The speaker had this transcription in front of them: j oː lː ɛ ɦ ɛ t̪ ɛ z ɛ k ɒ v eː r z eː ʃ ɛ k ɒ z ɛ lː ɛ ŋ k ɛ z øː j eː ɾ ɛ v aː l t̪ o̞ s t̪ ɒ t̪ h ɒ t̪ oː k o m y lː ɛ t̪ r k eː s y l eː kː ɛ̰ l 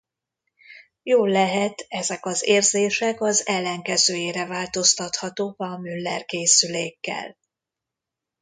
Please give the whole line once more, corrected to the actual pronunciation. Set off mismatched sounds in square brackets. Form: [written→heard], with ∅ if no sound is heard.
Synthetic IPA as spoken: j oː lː ɛ ɦ ɛ t̪ ɛ z ɛ k ɒ [v→z] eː r z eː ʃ ɛ k ɒ z ɛ lː ɛ ŋ k ɛ z øː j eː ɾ ɛ v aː l t̪ o̞ s t̪ ɒ t̪ h ɒ t̪ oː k [o→ɒ] m y lː ɛ [t̪→∅] r k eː s y l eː kː ɛ̰ l